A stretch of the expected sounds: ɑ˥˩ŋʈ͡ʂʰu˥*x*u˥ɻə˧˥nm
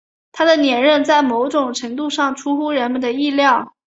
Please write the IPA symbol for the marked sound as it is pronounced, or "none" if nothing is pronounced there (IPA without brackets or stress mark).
x